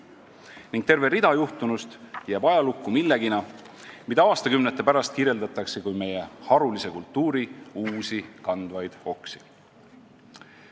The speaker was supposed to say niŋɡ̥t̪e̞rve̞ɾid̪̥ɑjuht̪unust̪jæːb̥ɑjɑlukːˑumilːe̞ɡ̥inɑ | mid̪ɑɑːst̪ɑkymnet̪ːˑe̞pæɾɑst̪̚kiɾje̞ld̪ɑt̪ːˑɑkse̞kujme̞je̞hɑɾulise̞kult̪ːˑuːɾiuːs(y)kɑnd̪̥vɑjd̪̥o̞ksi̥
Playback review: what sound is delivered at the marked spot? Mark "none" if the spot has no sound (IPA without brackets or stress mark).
i